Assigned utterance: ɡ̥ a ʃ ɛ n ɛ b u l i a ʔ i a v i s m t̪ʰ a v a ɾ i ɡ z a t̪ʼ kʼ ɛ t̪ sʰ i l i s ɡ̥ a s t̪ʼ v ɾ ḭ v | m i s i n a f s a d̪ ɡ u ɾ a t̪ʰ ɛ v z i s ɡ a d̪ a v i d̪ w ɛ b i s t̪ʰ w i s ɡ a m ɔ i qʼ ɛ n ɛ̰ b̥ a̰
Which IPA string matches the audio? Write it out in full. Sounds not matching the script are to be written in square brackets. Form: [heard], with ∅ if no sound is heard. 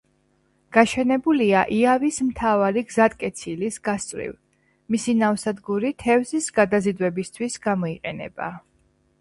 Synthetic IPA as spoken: ɡ̥ a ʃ ɛ n ɛ b u l i a ʔ i a v i s m t̪ʰ a v a ɾ i ɡ z a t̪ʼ kʼ ɛ t̪ sʰ i l i s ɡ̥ a s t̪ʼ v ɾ ḭ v | m i s i n a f s a d̪ ɡ u ɾ [i] t̪ʰ ɛ v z i s ɡ a d̪ a [z] i d̪ w ɛ b i s t̪ʰ w i s ɡ a m ɔ i qʼ ɛ n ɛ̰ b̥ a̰